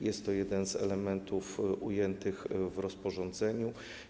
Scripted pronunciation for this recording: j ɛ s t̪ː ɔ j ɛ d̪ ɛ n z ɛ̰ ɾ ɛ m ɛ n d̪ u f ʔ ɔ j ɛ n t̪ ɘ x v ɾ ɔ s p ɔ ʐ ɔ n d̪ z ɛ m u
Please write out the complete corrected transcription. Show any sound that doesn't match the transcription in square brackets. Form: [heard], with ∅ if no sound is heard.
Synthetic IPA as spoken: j ɛ s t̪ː ɔ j ɛ d̪ ɛ n z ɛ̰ [l] ɛ m ɛ n [t̪] u f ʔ [u] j ɛ n t̪ ɘ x v ɾ ɔ s p ɔ ʐ ɔ n d̪ z ɛ [ɲ] u